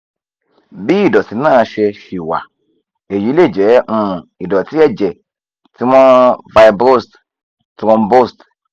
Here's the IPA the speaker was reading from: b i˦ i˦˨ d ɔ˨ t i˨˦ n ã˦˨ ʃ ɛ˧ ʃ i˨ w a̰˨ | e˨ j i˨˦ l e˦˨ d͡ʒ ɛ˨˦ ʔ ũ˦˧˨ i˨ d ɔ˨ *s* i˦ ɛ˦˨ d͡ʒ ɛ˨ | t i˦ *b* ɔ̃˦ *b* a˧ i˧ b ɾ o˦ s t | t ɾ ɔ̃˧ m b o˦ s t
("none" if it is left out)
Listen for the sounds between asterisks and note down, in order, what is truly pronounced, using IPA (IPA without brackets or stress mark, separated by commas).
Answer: t, m, v